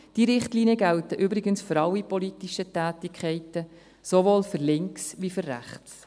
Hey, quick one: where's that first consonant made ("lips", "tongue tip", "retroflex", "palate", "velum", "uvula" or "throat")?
tongue tip